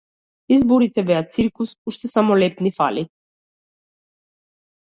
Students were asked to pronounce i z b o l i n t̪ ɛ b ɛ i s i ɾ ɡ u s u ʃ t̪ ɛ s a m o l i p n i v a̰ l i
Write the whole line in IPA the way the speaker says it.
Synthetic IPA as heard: i z b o ɾ i t̪ ɛ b ɛ a s i ɾ k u s u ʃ t̪ ɛ s a m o l ɛ p n i f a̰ l i